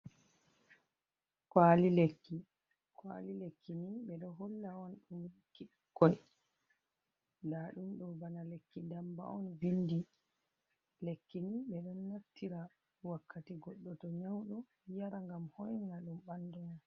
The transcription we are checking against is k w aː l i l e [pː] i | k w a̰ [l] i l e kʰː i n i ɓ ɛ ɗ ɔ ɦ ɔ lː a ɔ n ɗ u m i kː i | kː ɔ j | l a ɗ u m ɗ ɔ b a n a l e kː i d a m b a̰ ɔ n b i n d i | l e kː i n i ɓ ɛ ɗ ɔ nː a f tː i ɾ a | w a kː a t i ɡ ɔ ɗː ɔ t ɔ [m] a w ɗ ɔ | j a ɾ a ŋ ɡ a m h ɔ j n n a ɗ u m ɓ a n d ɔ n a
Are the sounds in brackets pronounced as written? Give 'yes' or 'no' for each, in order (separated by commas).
no, yes, no